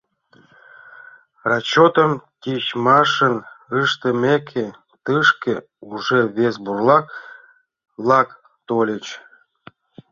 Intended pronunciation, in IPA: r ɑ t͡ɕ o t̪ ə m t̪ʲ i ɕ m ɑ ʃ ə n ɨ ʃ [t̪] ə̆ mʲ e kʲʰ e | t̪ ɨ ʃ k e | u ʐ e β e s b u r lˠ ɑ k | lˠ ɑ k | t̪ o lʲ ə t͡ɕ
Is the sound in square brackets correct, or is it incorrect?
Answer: correct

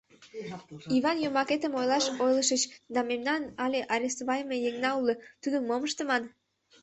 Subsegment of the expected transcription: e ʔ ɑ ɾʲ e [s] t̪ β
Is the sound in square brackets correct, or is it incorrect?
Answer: correct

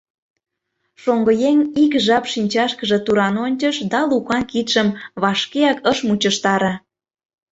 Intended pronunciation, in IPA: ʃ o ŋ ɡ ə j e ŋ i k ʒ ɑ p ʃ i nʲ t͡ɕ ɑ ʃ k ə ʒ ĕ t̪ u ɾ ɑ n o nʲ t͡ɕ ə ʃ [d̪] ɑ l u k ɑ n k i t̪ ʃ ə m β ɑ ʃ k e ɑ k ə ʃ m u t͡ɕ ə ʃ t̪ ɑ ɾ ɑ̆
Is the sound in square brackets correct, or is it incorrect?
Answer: correct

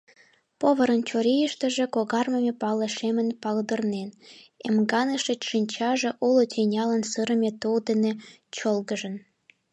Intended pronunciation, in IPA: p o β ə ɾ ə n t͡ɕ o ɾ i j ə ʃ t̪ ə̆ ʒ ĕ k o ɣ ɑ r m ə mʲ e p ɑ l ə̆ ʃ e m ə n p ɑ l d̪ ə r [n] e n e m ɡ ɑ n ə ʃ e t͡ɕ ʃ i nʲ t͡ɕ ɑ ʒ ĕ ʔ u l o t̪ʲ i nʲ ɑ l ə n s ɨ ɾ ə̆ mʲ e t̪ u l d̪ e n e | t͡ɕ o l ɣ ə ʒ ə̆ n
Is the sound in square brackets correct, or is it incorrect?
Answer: correct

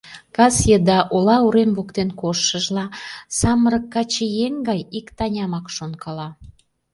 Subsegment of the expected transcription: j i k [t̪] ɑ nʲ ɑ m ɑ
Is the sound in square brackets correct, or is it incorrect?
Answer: correct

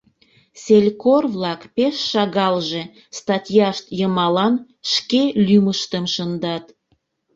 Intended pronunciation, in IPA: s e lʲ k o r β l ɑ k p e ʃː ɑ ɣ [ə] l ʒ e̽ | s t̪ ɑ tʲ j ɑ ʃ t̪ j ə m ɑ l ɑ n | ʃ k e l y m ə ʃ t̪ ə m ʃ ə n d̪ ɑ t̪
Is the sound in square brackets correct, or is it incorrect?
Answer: incorrect: ɑ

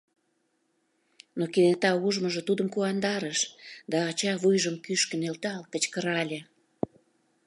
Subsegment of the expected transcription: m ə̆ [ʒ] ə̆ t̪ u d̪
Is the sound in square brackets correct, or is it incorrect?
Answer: correct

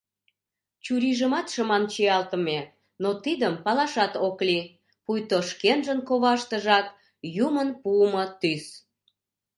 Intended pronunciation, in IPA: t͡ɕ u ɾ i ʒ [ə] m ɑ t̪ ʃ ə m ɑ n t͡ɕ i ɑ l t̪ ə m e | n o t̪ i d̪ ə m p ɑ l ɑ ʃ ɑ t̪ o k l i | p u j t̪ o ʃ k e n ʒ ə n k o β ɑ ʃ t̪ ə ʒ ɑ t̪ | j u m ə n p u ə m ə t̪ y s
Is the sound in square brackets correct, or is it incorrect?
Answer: correct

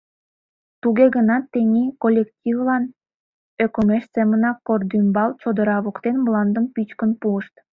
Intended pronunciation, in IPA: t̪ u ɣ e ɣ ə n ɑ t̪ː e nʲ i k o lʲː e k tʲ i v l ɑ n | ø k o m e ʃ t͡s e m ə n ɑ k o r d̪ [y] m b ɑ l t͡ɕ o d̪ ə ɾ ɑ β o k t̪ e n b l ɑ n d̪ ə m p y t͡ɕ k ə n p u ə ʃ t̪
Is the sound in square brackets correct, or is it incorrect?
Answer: correct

